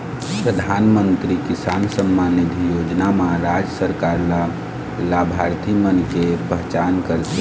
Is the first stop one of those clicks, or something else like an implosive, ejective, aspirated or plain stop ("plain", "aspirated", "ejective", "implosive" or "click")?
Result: plain